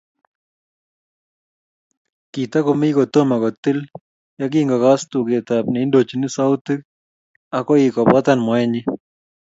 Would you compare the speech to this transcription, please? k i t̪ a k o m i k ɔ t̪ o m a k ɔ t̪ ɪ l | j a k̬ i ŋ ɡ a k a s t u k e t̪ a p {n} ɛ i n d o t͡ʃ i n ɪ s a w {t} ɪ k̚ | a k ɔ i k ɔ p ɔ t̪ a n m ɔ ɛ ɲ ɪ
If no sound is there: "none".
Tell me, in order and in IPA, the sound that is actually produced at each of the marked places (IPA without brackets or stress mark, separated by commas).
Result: n, t